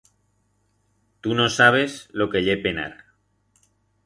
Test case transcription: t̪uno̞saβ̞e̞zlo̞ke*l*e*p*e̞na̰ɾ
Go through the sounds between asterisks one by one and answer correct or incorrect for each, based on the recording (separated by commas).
incorrect, correct